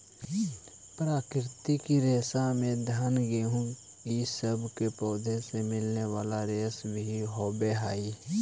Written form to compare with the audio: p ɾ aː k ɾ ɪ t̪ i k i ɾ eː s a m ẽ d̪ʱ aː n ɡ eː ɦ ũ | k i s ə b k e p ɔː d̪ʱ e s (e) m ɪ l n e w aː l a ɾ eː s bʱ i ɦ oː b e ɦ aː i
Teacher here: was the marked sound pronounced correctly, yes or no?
yes